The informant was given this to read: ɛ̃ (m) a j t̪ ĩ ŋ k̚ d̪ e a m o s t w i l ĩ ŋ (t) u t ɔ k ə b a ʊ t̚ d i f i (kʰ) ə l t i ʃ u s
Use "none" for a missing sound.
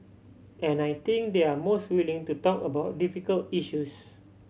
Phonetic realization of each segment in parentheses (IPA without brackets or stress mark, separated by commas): n, t, k